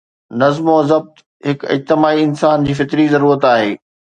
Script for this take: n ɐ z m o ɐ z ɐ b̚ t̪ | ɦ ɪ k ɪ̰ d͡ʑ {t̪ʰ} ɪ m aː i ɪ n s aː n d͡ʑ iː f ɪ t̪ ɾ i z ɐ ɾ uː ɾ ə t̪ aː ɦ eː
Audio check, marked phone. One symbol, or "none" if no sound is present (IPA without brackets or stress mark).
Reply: t̪